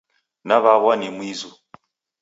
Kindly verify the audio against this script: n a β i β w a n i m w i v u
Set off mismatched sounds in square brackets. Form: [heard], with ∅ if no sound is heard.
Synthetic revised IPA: n a β [a] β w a n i m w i [z] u